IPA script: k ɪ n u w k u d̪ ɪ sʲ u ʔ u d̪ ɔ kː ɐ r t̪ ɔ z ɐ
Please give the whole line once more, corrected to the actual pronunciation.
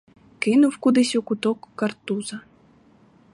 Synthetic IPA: k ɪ n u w k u d̪ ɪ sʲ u k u t̪ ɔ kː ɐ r t̪ u z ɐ